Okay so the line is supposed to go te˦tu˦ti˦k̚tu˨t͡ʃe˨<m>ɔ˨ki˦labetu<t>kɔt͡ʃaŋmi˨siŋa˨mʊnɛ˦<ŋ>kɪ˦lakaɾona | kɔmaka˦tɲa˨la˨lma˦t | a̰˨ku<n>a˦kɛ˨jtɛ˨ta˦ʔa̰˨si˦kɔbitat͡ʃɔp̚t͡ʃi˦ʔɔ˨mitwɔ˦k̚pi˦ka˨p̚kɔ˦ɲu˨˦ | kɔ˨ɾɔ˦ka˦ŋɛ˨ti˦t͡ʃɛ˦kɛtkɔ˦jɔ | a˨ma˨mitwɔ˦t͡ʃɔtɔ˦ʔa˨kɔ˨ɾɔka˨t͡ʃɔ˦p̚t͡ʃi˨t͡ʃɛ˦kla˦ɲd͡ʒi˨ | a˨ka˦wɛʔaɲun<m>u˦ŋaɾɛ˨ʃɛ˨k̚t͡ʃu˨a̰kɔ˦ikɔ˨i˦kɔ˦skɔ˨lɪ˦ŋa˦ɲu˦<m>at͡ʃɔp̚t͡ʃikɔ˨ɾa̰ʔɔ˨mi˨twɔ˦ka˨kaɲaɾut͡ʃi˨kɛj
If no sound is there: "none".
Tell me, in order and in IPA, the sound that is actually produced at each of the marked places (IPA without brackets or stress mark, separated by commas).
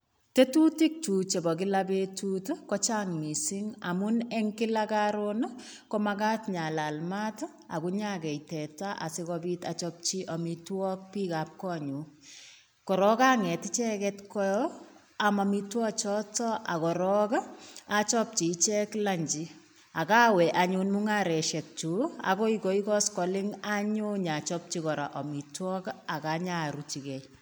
b, t, ŋ, ɲ, m, ɲ